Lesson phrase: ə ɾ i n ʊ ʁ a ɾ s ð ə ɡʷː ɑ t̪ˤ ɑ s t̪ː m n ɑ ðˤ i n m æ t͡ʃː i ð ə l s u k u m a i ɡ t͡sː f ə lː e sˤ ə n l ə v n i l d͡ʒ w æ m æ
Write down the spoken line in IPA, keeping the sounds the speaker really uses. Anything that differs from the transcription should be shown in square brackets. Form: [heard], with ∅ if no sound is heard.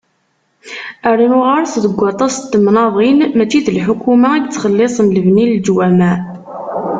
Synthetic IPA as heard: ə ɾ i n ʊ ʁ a ɾ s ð ə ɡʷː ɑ t̪ˤ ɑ s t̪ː m n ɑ ðˤ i n m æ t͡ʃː i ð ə l [ħ] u k u m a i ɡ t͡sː [χ] ə lː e sˤ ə n l ə v n i l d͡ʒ w æ m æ